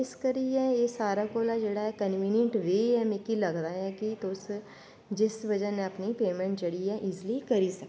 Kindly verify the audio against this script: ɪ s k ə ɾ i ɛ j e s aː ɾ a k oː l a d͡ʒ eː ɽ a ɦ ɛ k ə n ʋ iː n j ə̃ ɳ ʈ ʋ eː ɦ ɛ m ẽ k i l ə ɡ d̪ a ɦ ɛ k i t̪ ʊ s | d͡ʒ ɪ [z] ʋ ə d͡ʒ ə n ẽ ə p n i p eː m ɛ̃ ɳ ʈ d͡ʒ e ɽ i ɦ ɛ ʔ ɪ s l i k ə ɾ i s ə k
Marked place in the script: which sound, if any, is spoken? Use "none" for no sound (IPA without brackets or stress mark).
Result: s